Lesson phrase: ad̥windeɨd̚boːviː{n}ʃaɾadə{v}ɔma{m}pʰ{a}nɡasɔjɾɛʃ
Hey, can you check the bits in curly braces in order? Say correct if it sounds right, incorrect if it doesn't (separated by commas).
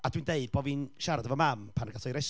correct, correct, correct, correct